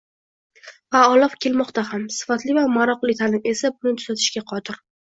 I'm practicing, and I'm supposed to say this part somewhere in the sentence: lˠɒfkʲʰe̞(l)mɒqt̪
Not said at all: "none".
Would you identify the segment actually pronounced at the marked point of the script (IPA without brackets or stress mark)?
l